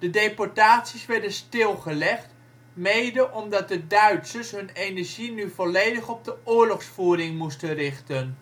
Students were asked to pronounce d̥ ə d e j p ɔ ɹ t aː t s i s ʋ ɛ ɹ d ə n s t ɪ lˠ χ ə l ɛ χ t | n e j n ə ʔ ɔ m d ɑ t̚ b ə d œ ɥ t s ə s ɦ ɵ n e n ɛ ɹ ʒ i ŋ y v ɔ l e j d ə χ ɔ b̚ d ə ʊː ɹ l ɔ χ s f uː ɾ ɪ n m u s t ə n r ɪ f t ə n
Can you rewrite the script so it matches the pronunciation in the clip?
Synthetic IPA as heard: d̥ ə d e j p ɔ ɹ t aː t s i s ʋ ɛ ɹ d ə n s t ɪ lˠ χ ə l ɛ χ t | m e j d ə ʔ ɔ m d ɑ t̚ d ə d œ ɥ t s ə s ɦ ɵ n e n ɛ ɹ ʒ i n y v ɔ l e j d ə χ ɔ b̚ d ə ʊː ɹ l ɔ χ s f uː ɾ ɪ ŋ m u s t ə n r ɪ χ t ə n